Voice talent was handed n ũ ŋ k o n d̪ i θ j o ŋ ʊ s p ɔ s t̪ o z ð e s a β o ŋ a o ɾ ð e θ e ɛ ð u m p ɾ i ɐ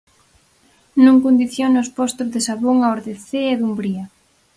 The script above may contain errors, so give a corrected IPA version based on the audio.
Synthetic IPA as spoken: n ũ ŋ k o n d̪ i θ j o n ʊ s p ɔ s t̪ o z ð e s a β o ŋ a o ɾ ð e θ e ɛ ð u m b ɾ i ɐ